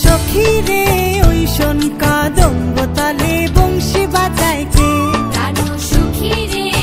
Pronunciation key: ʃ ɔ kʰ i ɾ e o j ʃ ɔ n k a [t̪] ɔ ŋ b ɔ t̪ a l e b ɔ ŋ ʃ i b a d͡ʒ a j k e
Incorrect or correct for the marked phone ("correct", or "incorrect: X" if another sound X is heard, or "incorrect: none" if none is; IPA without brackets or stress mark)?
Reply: incorrect: d̪